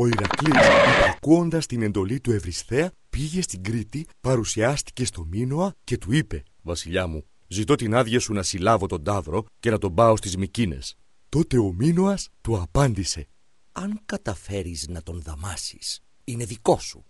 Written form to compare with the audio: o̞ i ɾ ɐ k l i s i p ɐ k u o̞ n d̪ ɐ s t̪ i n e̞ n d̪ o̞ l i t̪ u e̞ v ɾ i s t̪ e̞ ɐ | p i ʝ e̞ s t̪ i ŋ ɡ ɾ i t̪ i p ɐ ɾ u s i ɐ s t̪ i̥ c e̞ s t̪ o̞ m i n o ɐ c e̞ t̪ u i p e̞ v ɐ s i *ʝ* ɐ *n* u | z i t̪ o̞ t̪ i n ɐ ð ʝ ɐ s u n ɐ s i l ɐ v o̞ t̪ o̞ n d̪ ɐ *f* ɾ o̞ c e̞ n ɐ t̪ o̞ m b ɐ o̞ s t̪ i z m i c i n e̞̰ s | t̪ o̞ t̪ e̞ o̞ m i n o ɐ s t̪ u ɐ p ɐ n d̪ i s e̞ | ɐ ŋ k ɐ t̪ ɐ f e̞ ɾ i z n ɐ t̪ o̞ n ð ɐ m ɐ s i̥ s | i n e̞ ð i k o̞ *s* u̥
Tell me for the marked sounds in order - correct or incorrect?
incorrect: ʎ, incorrect: m, incorrect: v, correct

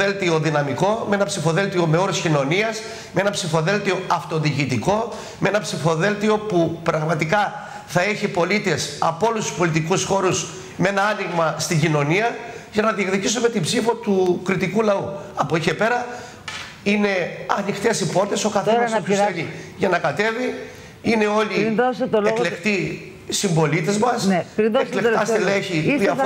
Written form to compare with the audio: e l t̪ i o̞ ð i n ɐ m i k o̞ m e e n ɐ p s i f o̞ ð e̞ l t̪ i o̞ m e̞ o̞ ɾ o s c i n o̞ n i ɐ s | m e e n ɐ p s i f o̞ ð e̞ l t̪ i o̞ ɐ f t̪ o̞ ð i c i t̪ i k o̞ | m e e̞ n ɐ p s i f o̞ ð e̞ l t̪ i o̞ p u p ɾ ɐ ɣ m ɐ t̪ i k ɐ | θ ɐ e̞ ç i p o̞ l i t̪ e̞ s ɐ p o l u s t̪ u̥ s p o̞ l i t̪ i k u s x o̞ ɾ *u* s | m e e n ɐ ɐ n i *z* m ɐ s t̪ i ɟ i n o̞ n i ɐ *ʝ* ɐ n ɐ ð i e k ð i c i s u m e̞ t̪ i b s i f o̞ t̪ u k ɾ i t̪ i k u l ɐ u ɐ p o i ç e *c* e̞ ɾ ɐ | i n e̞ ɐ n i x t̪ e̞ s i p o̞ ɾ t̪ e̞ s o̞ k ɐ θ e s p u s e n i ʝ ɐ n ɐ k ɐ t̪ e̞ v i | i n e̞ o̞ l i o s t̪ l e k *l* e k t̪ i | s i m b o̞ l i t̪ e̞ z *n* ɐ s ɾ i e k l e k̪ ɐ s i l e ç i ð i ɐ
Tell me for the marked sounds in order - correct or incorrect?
correct, incorrect: ɣ, correct, incorrect: p, correct, incorrect: m

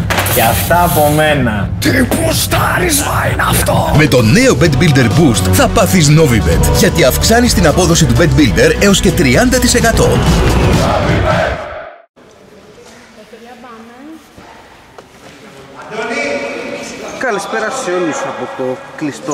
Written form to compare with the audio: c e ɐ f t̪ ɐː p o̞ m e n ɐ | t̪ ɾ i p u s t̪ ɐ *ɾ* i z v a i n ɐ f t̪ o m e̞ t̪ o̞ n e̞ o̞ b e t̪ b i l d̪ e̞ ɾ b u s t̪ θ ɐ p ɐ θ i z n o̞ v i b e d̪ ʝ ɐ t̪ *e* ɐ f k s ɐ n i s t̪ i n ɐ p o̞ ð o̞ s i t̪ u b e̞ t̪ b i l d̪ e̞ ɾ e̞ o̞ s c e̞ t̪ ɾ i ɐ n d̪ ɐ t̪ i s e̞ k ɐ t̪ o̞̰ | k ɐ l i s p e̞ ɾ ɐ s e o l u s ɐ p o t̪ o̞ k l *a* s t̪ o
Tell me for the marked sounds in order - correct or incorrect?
correct, incorrect: i, incorrect: i

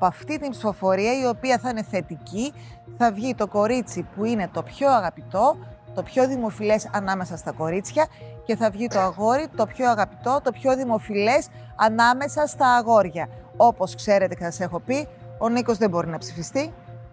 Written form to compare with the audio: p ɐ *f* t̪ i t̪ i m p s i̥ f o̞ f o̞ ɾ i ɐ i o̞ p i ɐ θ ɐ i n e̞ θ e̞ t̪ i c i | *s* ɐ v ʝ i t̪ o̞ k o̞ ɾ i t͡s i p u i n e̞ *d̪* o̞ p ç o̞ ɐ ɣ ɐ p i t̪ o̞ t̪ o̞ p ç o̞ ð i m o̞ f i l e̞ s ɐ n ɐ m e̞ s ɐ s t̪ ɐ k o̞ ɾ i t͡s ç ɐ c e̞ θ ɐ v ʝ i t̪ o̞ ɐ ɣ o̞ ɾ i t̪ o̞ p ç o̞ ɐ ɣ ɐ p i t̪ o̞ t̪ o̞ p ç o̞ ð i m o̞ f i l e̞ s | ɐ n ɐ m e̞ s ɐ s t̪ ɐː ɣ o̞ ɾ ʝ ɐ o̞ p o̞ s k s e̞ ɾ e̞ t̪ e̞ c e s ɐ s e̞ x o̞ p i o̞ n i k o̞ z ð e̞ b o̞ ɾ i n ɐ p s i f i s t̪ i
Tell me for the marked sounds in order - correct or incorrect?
correct, incorrect: θ, incorrect: t̪

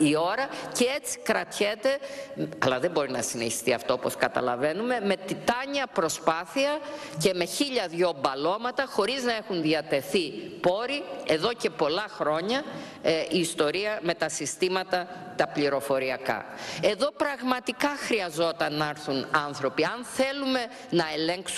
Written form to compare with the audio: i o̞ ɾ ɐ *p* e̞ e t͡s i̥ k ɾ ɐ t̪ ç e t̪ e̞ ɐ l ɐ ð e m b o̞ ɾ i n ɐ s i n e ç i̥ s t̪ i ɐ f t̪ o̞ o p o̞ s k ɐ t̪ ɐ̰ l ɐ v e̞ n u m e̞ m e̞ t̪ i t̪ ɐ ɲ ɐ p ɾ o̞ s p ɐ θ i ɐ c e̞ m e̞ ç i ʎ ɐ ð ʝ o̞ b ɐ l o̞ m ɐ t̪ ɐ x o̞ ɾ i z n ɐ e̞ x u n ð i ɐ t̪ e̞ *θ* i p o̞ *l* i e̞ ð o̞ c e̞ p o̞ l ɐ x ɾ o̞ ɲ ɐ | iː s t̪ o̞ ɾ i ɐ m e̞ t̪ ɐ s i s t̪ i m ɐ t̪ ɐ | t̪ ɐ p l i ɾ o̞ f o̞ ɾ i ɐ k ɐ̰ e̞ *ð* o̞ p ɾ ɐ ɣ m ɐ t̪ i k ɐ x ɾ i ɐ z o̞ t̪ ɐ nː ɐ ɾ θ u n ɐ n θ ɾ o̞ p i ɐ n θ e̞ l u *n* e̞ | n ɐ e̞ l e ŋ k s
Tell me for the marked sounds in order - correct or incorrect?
incorrect: c, correct, incorrect: ɾ, correct, incorrect: m

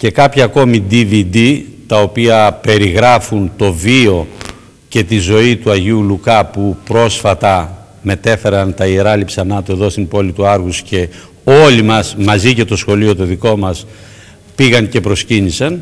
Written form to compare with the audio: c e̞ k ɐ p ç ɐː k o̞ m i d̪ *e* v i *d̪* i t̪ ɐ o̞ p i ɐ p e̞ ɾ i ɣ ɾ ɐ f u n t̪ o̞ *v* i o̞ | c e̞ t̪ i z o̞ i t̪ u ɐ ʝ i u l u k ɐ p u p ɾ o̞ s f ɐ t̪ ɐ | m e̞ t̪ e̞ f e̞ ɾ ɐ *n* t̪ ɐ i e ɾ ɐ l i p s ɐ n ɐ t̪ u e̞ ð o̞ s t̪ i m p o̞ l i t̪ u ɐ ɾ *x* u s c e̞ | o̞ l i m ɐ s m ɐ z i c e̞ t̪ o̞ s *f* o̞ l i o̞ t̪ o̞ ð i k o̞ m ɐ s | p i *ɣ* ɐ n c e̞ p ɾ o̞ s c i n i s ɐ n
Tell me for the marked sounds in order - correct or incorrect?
incorrect: i, correct, correct, correct, incorrect: ɣ, incorrect: x, correct

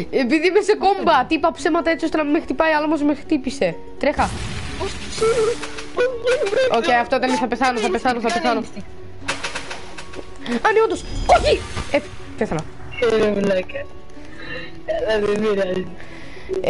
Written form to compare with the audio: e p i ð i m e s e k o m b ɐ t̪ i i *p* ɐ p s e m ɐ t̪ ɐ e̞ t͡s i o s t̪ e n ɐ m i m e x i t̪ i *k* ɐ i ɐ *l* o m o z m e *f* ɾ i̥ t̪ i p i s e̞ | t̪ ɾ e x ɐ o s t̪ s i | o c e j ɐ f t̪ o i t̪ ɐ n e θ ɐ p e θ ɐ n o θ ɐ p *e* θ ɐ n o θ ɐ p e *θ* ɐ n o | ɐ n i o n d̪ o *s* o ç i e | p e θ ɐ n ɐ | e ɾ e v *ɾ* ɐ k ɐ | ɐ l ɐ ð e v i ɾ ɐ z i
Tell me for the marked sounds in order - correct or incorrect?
correct, incorrect: p, correct, incorrect: x, correct, correct, correct, incorrect: l

